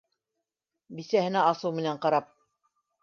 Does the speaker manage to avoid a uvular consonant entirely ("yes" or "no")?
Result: no